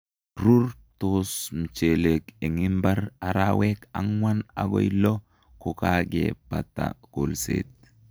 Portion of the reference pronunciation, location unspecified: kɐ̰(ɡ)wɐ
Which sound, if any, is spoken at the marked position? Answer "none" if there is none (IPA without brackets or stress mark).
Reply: ŋ